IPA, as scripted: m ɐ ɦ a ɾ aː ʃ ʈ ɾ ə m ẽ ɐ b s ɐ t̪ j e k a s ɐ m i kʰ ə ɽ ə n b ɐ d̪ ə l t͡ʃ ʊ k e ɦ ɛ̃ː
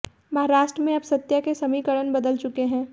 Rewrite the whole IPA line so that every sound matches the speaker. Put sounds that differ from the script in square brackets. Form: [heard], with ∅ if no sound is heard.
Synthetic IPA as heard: m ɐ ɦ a ɾ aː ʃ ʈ ɾ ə m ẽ ɐ b s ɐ t̪ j [a] k [e] s ɐ m i [k] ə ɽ ə n b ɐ d̪ ə l t͡ʃ ʊ k e ɦ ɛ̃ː